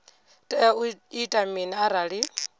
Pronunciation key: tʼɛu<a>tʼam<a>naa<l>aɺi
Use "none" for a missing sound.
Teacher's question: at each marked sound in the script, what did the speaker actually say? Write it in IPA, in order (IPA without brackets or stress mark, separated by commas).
i, i, ɾ